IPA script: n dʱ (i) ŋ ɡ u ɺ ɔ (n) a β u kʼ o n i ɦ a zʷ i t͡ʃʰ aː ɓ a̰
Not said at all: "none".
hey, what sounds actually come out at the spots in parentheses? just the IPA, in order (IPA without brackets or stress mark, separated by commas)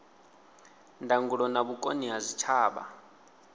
a, n